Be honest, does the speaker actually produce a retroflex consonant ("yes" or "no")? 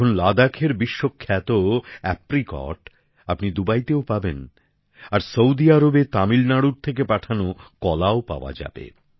yes